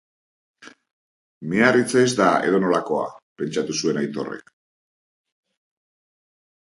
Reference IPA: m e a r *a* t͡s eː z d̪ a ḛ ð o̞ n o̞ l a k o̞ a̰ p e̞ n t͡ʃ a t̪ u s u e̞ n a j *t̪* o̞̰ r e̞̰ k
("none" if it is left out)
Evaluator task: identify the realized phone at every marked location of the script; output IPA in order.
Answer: i, t̪

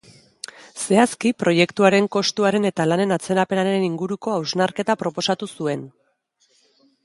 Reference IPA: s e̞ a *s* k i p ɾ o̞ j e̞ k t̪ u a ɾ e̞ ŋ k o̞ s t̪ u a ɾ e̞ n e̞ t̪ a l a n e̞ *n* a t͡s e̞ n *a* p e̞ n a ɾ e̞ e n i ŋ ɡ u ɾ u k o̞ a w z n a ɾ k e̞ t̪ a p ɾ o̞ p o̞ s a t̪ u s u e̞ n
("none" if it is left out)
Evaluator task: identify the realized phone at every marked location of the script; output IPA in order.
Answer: s, n, a

